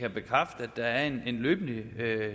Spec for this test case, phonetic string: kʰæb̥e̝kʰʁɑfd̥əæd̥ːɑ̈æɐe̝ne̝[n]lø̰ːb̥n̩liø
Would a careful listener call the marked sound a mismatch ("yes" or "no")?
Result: no